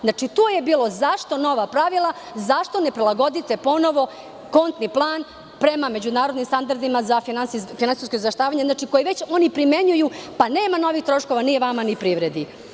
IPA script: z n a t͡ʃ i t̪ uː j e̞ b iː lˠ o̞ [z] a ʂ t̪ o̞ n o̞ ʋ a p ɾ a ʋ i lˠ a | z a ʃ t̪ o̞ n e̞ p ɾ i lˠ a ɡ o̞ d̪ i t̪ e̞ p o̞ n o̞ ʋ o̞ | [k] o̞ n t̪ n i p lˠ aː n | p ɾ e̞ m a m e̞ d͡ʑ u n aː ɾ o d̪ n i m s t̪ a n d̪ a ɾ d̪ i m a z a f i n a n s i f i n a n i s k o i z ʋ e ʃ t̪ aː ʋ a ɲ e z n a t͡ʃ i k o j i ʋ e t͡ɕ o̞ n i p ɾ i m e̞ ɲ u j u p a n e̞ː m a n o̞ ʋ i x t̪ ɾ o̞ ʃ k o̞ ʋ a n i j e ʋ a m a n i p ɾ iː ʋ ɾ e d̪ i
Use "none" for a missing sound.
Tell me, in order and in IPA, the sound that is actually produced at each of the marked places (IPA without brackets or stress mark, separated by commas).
z, k